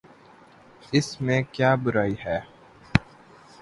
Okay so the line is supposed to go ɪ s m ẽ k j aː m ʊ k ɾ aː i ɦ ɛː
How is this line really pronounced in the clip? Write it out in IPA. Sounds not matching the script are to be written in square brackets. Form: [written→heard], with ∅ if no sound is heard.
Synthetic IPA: ɪ s m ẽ k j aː [m→b] ʊ [k→∅] ɾ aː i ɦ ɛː